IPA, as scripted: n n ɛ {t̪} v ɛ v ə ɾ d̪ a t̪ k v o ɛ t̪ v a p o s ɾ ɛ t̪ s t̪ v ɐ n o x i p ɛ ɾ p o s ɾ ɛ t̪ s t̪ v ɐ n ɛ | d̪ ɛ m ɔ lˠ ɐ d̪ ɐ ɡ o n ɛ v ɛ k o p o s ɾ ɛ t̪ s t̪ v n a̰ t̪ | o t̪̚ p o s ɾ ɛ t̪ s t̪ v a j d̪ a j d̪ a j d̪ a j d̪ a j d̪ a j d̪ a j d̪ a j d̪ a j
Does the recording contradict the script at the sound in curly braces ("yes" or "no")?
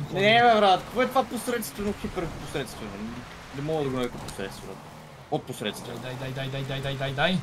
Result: yes